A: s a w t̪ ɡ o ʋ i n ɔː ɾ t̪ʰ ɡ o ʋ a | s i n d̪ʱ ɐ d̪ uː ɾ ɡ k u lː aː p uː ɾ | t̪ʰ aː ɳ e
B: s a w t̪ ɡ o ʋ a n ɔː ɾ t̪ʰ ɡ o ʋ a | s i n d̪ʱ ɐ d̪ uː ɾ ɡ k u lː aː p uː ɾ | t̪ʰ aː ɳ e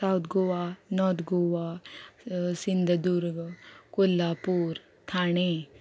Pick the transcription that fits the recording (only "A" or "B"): B